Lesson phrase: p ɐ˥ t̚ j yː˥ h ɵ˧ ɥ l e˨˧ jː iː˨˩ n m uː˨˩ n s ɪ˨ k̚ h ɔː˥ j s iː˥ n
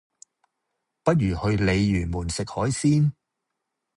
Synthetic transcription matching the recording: p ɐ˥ t̚ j yː˨˩ h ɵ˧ ɥ l e˨˧ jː yː˨˩ n m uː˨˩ n s ɪ˨ k̚ h ɔː˨˥ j s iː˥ n